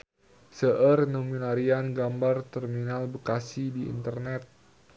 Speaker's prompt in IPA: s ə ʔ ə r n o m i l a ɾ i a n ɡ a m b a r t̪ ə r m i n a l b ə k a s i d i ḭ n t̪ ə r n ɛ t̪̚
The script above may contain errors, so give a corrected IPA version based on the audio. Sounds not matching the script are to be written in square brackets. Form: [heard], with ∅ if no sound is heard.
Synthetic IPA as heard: s ə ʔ ə r n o m i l a ɾ i a n ɡ a m b a r t̪ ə r m i n a l b ə k a s i d i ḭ n t̪ ə r n ɛ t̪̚